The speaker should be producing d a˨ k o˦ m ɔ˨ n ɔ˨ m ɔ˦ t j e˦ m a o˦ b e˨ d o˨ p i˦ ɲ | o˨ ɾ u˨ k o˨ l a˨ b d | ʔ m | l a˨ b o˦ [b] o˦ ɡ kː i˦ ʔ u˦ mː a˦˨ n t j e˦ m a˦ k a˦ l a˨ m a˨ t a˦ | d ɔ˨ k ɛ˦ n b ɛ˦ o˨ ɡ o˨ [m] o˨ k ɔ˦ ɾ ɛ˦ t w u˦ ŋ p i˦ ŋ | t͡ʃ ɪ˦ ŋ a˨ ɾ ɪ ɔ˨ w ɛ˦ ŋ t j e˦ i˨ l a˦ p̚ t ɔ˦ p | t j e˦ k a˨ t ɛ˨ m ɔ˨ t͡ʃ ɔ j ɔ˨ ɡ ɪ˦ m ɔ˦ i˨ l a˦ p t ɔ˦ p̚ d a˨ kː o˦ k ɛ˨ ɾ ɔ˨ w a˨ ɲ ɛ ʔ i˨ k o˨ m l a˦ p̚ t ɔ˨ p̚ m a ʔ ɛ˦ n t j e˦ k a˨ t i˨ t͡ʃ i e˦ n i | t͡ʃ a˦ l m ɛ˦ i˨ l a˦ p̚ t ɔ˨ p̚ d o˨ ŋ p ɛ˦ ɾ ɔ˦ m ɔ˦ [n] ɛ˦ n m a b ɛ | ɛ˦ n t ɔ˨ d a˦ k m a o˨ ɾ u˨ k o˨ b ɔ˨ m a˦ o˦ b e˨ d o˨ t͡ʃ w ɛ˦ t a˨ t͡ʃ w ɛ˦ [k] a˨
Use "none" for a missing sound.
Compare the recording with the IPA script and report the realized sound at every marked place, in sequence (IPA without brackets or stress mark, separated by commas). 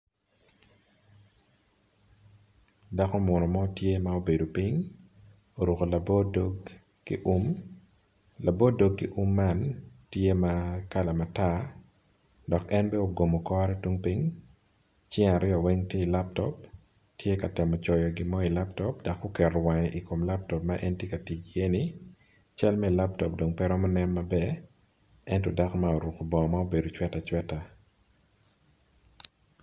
d, m, n, t